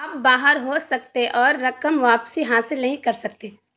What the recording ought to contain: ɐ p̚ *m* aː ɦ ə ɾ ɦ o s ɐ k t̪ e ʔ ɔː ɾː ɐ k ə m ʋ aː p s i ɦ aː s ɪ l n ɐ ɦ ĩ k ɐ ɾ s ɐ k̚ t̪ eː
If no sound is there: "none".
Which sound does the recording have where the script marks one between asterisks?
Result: b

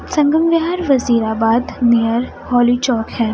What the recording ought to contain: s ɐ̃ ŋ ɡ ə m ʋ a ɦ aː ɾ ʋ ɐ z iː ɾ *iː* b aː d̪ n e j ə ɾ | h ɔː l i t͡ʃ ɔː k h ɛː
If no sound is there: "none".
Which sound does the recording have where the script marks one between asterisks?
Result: aː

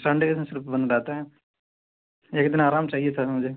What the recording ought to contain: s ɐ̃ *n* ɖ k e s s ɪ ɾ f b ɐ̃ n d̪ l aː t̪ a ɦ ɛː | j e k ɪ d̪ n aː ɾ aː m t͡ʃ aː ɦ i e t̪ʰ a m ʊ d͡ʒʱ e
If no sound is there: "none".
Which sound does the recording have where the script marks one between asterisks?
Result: ɳ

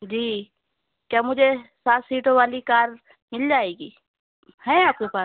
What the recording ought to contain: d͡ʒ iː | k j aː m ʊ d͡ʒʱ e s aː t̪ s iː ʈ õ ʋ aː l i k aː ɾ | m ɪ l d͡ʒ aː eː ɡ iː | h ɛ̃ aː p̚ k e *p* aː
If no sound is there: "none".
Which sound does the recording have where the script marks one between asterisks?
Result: p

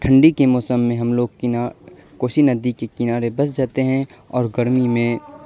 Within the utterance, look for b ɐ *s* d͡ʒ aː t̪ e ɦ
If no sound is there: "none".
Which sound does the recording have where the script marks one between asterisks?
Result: s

